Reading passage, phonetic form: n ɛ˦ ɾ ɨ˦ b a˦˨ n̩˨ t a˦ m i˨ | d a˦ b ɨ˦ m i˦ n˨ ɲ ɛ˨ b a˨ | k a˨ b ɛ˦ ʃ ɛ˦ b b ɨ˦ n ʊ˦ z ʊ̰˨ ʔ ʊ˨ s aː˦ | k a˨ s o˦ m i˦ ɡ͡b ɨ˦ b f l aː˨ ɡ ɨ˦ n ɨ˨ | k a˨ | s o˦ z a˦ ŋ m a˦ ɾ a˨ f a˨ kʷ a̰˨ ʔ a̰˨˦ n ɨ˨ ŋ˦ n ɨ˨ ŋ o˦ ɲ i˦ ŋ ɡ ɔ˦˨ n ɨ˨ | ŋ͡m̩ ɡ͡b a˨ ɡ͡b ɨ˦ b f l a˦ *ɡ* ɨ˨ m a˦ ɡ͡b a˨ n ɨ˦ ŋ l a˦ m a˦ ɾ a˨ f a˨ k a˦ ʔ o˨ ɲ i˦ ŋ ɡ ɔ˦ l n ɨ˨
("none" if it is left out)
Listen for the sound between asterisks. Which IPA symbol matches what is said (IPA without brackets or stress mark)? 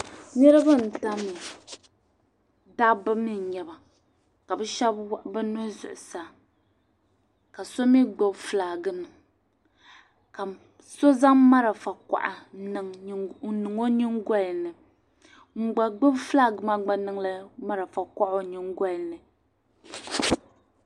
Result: ɡ